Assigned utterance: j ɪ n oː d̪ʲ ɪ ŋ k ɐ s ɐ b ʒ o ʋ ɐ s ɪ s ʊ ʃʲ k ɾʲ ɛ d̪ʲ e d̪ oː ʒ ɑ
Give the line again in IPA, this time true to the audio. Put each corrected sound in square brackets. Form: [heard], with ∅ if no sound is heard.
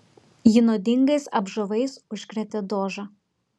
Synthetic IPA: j ɪ n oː d̪ʲ ɪ ŋ [ɡ] ɐ s ɐ b ʒ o ʋ ɐ [∅] ɪ s ʊ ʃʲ k ɾʲ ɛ [t̪ʲ] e d̪ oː ʒ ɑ